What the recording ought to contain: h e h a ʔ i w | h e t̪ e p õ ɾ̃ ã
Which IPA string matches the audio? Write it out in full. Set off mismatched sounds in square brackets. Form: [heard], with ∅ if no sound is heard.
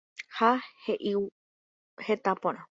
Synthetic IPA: h [a] h [e] ʔ i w | h e t̪ [a] p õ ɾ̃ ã